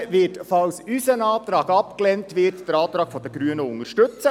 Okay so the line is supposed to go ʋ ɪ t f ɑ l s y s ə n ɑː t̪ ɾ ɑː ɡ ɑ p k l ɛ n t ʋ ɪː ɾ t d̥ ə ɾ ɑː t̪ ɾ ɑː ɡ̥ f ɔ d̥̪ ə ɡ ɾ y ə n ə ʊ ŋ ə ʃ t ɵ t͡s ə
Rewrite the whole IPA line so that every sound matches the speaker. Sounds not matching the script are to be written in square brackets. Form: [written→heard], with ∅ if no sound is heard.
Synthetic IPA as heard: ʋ ɪ t f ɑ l s y s ə n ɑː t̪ ɾ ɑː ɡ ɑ p k l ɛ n t ʋ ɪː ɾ t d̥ ə ɾ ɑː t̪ ɾ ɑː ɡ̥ f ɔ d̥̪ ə ɡ ɾ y ə n ə ʊ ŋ ə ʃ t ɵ t͡s ə